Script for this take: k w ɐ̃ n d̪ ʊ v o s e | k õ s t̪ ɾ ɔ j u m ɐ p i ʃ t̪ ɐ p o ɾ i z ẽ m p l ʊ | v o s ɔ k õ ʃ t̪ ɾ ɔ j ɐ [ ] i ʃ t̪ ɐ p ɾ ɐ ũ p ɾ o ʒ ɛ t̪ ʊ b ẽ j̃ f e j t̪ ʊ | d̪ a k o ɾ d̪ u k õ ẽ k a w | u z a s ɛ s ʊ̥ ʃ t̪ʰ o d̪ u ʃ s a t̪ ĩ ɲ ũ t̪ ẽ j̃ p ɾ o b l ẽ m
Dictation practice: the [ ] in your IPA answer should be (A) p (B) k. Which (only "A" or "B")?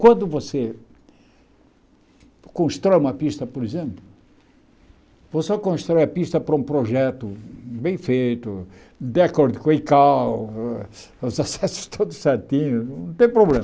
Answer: A